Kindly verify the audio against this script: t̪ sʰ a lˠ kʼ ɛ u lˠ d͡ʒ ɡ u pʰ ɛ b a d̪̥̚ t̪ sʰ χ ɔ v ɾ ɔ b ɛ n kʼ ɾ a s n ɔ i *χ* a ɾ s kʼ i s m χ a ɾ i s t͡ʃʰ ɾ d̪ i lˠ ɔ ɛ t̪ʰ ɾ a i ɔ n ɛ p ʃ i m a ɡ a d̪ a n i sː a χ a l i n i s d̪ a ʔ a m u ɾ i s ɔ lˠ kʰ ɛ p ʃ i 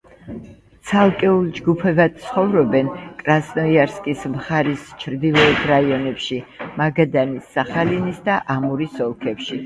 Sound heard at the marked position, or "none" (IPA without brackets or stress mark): none